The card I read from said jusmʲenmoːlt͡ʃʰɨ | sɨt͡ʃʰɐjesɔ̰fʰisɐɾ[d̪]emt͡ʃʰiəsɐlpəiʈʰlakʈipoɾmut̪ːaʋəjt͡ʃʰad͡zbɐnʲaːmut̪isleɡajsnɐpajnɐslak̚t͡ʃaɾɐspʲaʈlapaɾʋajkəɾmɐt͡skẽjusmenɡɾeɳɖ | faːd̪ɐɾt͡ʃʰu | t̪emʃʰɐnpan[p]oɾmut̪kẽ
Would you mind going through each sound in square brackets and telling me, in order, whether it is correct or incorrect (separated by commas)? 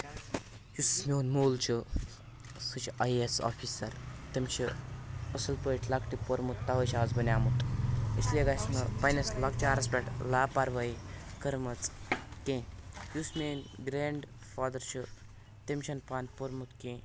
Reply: incorrect, correct